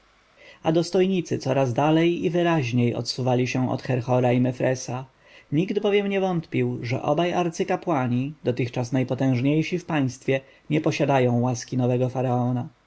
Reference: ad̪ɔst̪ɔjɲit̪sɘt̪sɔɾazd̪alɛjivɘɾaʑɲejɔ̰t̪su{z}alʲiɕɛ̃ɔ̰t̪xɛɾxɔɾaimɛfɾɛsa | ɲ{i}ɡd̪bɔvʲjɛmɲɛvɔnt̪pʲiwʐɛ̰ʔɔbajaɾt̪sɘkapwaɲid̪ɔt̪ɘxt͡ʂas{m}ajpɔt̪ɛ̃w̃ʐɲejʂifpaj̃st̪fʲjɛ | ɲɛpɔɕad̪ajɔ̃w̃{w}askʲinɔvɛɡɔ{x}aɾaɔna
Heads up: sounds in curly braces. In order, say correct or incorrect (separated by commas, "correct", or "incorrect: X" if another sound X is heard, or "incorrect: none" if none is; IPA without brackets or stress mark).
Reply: incorrect: v, correct, incorrect: n, correct, incorrect: f